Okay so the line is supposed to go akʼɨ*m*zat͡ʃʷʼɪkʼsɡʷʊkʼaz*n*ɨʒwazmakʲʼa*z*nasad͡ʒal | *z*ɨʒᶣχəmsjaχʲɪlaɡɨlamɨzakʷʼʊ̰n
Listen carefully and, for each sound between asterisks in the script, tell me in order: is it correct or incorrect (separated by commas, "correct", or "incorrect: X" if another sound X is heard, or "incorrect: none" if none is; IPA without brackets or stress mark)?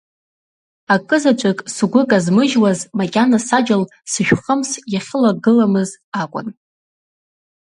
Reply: incorrect: none, incorrect: m, incorrect: none, incorrect: s